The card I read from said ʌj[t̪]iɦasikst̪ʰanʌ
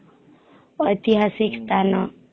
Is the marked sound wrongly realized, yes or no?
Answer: no